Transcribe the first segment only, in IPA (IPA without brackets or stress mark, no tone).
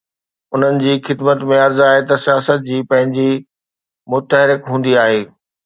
ʊ